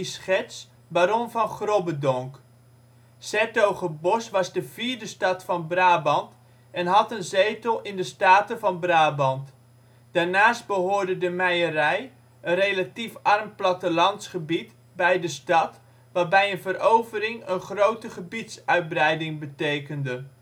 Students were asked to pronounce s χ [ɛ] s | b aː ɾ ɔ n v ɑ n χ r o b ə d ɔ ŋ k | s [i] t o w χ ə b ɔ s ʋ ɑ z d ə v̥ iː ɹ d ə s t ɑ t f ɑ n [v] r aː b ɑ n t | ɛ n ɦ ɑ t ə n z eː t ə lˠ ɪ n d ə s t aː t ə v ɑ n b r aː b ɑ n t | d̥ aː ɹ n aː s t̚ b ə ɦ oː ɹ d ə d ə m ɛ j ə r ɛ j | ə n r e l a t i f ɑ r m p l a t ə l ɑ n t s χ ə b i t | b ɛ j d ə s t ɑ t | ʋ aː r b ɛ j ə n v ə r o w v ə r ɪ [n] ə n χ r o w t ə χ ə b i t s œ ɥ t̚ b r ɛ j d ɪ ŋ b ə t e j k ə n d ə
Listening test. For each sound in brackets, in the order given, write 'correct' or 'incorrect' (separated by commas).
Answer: correct, incorrect, incorrect, incorrect